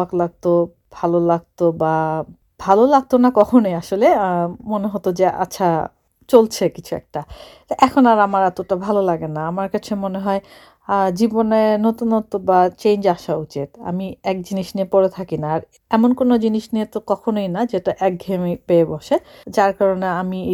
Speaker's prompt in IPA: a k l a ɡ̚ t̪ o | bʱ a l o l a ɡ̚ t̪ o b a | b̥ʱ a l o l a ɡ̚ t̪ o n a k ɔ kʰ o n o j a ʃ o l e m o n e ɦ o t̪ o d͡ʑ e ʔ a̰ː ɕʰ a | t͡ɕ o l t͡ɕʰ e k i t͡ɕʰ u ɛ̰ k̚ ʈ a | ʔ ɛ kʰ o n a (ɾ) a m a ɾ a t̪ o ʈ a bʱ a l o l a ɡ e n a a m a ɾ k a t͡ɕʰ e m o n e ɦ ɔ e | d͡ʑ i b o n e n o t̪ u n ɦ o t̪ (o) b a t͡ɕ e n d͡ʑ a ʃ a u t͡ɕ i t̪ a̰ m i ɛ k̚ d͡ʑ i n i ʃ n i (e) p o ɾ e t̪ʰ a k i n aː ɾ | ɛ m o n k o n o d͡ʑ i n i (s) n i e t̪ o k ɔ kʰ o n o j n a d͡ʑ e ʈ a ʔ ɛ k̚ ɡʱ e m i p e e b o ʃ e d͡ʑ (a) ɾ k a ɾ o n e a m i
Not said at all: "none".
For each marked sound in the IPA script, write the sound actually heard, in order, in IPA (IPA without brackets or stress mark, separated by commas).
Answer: ɾ, o, e, ʃ, a